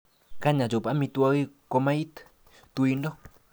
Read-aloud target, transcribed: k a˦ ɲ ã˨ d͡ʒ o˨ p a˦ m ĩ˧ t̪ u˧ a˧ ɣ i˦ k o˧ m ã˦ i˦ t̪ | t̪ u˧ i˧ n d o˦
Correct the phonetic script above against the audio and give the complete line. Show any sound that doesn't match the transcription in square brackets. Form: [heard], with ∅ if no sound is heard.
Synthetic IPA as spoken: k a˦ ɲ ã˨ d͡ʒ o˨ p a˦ m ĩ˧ t̪ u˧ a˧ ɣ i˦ k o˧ m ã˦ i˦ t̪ | t̪ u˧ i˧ n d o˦